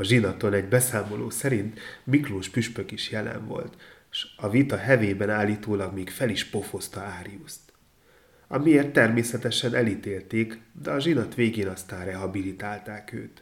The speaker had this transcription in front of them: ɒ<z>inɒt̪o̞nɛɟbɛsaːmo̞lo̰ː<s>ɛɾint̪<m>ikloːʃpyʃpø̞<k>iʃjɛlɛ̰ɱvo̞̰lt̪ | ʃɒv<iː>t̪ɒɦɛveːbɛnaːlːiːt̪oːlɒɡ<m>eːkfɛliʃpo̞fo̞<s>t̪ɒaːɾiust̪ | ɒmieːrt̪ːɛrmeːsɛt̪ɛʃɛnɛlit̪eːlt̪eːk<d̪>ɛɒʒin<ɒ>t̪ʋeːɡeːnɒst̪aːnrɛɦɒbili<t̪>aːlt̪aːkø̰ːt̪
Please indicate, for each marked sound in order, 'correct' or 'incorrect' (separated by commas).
incorrect, correct, correct, correct, incorrect, correct, correct, correct, correct, correct